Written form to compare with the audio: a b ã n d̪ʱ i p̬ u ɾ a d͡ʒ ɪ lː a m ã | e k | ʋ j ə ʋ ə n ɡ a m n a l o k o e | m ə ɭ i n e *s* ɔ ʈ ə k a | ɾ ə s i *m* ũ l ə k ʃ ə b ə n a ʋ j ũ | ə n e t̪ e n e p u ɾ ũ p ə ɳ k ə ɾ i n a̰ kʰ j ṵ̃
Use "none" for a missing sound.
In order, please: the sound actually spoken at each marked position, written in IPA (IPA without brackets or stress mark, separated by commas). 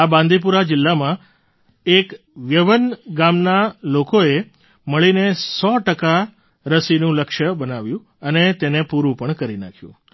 s, n